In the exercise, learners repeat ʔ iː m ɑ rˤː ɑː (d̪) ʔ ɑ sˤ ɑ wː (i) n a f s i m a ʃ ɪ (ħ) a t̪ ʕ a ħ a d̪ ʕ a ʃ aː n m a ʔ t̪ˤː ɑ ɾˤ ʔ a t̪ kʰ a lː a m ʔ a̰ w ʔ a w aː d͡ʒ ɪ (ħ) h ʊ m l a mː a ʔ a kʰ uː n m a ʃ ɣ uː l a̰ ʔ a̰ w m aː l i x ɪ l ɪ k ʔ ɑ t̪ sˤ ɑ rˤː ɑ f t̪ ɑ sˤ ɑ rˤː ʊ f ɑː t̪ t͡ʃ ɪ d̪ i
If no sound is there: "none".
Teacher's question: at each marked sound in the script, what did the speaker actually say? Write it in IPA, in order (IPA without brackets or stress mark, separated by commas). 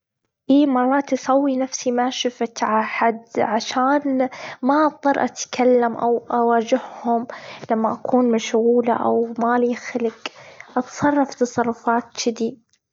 t̪, i, f, h